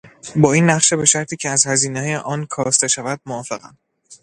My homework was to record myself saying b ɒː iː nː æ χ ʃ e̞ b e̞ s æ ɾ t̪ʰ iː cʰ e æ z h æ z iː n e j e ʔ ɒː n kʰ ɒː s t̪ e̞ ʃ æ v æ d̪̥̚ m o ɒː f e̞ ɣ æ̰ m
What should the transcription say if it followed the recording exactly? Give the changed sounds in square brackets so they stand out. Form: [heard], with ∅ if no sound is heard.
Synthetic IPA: b ɒː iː nː æ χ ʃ e̞ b e̞ [ʃ] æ ɾ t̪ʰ iː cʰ e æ z h æ z iː n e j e ʔ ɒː n kʰ ɒː s t̪ e̞ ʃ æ v æ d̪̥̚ m o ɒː f e̞ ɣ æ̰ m